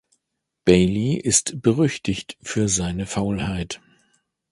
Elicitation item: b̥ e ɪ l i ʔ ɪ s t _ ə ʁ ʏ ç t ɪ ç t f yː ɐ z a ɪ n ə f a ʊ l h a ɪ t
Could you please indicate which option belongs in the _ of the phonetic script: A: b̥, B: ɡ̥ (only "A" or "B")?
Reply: A